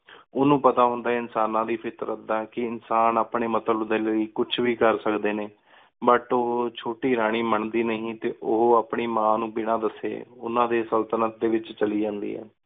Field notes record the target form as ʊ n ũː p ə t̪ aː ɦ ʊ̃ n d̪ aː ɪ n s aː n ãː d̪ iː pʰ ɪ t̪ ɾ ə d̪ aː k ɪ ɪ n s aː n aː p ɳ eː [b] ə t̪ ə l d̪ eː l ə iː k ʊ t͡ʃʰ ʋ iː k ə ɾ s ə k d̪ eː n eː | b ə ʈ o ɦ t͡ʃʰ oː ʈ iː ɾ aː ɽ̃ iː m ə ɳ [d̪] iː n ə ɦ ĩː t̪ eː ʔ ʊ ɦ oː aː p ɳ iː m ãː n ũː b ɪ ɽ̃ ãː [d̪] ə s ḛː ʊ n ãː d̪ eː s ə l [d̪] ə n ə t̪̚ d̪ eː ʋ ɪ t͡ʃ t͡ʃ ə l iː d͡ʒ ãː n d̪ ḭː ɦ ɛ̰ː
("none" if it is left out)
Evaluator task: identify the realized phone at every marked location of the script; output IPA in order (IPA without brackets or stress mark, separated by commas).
m, d̪, d̪, t̪